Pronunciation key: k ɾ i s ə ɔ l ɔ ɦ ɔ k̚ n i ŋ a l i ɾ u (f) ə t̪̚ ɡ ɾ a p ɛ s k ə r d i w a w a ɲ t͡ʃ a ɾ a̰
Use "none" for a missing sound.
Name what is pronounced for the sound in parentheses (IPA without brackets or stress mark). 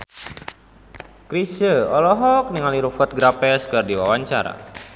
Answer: f